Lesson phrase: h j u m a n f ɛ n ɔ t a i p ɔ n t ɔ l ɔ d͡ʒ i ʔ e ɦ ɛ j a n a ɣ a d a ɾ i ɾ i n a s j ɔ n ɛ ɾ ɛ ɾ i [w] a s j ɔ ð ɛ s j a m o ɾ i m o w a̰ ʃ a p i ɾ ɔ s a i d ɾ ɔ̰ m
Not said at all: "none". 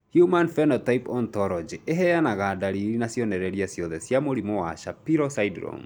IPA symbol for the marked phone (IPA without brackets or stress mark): none